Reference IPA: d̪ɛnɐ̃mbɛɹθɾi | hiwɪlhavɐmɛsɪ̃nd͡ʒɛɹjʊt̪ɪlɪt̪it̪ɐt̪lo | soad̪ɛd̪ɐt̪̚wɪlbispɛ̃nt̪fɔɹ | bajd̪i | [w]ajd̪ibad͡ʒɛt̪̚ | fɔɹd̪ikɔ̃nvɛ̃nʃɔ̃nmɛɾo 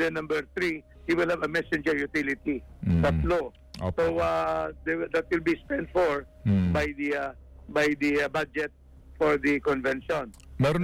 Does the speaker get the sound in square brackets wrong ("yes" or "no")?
yes